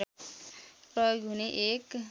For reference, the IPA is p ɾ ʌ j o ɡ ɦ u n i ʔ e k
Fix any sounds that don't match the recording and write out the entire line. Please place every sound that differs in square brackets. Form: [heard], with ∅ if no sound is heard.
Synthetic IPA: p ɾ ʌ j o ɡ ɦ u n [e] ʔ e k